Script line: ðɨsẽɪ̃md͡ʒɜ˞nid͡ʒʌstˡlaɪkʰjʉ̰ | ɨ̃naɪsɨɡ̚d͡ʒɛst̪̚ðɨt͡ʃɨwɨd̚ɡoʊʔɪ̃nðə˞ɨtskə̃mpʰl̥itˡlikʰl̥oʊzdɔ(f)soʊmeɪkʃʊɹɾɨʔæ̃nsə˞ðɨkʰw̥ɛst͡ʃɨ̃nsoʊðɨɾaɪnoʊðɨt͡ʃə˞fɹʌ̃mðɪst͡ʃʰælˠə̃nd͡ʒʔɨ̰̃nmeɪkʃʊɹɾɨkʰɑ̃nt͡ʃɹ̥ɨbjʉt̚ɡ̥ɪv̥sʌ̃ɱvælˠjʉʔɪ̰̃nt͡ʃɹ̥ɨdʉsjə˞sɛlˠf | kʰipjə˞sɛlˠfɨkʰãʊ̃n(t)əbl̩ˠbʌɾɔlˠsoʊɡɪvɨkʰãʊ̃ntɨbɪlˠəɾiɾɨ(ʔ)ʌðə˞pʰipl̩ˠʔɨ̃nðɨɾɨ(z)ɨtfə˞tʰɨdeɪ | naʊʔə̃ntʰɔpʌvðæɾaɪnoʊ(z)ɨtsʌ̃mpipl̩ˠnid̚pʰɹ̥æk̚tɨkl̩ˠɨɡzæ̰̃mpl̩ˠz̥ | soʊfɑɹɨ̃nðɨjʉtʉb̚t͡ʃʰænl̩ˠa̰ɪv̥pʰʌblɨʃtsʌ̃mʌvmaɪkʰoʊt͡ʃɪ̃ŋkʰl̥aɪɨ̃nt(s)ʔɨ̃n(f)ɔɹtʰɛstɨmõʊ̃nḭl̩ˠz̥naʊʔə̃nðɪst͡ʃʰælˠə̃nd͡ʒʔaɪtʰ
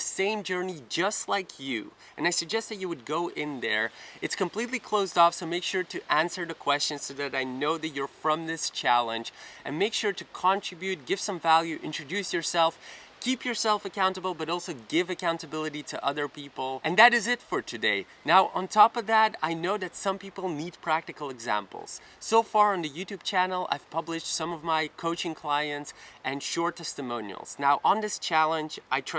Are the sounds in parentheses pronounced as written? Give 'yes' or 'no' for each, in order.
yes, yes, yes, yes, no, yes, no

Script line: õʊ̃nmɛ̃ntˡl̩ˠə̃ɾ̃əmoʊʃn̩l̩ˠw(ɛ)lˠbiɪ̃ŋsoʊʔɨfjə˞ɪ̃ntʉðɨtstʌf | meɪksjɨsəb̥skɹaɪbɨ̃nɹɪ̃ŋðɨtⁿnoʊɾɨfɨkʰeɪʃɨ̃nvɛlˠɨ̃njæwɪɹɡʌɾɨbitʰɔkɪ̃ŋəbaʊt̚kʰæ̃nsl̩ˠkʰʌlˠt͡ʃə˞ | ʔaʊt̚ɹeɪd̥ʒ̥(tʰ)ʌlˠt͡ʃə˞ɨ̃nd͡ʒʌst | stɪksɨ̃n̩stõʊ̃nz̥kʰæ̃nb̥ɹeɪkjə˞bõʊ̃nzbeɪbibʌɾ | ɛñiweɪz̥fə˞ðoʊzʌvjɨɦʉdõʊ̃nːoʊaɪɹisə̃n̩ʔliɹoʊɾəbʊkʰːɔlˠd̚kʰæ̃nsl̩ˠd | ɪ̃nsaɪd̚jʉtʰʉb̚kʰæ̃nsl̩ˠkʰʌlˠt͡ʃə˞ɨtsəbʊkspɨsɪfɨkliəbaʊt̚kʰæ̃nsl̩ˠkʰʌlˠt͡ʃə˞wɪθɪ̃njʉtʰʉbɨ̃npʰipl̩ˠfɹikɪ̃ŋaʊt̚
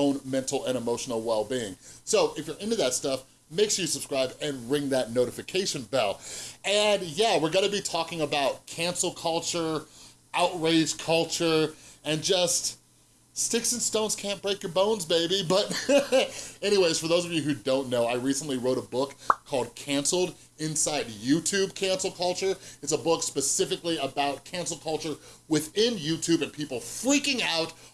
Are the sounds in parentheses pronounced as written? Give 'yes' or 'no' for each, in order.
yes, no

